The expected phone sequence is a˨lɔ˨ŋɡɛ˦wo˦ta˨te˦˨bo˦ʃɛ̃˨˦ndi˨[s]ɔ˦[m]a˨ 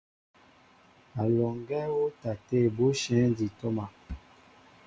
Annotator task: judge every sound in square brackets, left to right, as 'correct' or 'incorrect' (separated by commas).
incorrect, correct